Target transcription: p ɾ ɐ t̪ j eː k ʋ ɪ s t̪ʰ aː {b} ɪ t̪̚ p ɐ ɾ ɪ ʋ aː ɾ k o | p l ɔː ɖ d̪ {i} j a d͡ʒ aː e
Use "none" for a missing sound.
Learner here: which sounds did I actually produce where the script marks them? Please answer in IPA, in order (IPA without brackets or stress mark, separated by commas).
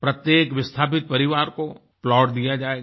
p, i